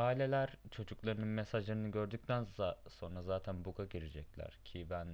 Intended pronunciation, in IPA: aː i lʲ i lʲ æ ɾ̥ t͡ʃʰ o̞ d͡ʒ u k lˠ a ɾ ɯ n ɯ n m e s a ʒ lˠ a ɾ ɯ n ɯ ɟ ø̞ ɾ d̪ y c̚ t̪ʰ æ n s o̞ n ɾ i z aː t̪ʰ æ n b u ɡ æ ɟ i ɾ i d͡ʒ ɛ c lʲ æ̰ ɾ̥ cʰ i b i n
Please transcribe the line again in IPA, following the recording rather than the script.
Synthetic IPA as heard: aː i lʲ e lʲ æ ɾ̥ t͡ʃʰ o̞ d͡ʒ u k lˠ a ɾ ɯ n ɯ n m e s a ʒ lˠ a ɾ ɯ n ɯ ɟ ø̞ ɾ d̪ y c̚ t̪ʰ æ n s o̞ n ɾ a z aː t̪ʰ æ n b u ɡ a ɟ i ɾ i d͡ʒ ɛ c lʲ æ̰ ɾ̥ cʰ i b æ n